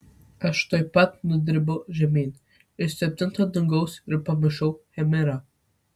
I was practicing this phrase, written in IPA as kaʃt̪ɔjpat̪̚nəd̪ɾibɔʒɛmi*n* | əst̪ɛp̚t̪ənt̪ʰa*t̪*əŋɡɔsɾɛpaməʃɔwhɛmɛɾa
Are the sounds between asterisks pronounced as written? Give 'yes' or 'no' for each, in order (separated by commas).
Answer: yes, no